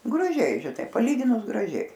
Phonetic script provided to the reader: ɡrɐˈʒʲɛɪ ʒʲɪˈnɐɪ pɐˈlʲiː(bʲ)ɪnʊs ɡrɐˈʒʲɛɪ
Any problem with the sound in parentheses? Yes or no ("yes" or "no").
yes